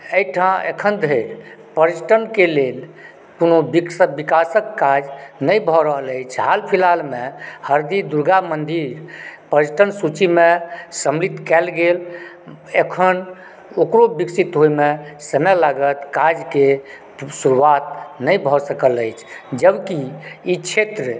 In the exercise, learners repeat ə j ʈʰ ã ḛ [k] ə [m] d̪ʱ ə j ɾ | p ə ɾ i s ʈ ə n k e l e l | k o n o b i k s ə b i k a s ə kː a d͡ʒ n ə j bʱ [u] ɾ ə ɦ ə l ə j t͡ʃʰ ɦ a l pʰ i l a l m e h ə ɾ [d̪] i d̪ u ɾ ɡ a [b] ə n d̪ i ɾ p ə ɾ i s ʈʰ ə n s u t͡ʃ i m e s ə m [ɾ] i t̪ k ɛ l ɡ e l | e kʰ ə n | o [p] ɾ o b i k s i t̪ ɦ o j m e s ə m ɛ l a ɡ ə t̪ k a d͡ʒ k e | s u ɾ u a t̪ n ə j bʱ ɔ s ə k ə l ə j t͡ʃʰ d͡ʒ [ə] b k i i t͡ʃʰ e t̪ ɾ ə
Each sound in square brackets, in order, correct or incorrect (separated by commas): incorrect, incorrect, incorrect, correct, incorrect, incorrect, incorrect, correct